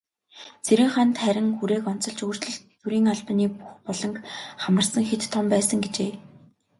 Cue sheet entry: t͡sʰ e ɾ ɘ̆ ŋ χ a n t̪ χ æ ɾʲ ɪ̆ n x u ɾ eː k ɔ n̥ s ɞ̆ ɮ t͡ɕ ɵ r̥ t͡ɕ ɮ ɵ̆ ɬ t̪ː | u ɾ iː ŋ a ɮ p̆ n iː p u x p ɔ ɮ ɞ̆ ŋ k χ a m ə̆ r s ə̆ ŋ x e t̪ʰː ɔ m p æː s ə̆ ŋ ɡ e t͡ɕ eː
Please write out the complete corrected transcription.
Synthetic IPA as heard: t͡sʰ e ɾ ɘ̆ ŋ χ a n t̪ χ æ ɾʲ ɪ̆ ŋ x u ɾ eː k ɔ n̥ t͡s ɞ̆ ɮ t͡ɕ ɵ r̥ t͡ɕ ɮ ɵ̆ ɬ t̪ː | u ɾ iː ŋ a ɮ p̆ n iː p u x p ɔ ɮ ɞ̆ ŋ k χ a m ə̆ r s ə̆ ŋ x e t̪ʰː ɔ m p æː s ə̆ ŋ ɡ e t͡ɕ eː